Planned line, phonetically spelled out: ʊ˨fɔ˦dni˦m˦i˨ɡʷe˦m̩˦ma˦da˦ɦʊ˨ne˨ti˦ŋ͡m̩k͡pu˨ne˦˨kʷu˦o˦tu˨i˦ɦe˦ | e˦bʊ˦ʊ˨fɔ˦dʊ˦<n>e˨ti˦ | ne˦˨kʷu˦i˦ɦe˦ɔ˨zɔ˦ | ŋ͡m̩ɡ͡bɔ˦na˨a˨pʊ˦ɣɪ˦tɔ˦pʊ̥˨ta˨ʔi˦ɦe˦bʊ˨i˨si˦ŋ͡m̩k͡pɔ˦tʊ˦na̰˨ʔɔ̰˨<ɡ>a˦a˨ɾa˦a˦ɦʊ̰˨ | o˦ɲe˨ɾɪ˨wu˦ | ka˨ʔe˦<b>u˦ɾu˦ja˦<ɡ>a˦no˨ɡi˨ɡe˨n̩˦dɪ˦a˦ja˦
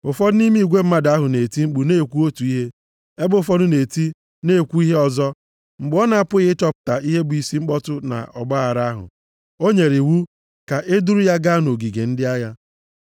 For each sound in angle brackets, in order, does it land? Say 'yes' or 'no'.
yes, no, no, yes

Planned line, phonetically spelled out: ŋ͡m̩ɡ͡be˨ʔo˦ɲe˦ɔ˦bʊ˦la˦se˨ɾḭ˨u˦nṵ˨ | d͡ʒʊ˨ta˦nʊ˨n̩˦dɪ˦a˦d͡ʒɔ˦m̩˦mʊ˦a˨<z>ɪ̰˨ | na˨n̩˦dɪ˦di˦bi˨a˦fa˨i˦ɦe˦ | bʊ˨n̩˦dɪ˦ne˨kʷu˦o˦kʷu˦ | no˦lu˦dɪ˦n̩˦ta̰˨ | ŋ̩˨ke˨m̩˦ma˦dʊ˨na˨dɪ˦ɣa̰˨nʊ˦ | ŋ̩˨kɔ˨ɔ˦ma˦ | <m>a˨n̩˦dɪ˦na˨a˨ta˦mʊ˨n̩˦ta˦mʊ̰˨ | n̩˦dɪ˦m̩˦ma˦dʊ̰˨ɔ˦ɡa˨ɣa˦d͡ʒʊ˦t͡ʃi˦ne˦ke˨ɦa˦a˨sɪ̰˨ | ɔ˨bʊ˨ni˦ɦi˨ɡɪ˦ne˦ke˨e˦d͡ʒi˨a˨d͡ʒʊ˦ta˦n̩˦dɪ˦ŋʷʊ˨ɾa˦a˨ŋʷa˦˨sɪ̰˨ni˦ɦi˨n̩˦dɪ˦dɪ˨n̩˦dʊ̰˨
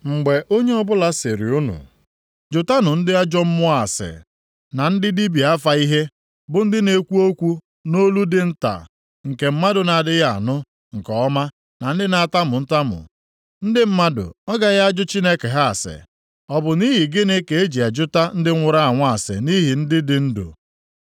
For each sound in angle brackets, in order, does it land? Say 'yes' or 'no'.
no, no

